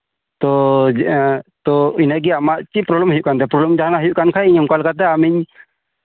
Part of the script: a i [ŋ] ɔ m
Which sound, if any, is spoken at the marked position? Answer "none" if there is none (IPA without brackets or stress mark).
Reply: ɲ